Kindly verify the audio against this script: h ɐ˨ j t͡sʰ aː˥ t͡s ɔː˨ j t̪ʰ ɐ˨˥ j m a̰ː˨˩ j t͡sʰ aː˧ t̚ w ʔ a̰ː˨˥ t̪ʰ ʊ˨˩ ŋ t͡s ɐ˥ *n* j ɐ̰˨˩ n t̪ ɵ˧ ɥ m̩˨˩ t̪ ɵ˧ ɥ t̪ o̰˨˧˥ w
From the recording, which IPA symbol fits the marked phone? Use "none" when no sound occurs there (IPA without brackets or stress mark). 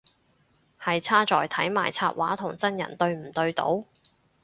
n